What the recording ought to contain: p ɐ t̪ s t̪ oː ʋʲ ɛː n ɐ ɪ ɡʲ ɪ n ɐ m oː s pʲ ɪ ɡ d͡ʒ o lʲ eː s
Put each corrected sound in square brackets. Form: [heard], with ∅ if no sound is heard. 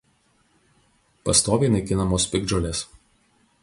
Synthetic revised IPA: p ɐ [∅] s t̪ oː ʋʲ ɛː n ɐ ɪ [kʲ] ɪ n ɐ m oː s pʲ ɪ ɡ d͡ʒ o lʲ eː s